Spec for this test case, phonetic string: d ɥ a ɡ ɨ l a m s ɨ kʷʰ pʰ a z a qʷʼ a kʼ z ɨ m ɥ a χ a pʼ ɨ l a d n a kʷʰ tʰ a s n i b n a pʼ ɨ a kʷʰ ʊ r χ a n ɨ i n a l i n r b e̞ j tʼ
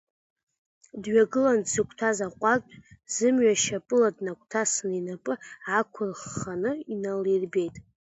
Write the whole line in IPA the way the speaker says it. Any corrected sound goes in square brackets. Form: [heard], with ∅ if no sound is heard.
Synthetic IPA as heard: d ɥ a ɡ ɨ l a [n] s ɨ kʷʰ [tʰ] a z a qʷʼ a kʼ z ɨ m ɥ a [ʃ] a pʼ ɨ l a d n a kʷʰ tʰ a s n i [∅] n a pʼ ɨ a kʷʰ ʊ r χ a n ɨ i n a l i [∅] r b e̞ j tʼ